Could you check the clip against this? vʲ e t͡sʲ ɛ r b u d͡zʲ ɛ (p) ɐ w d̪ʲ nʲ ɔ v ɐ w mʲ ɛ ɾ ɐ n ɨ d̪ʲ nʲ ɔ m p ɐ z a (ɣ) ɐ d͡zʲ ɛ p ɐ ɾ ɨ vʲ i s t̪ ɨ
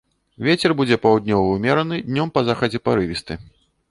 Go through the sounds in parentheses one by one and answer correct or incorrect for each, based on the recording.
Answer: correct, incorrect: x

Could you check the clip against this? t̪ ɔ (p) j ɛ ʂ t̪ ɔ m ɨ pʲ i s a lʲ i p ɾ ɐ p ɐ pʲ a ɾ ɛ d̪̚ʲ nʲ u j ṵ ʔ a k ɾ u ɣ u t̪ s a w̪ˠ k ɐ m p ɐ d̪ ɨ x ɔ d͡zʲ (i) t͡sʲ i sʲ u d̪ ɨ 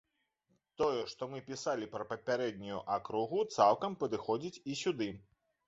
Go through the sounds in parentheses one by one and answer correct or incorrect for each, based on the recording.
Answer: incorrect: none, correct

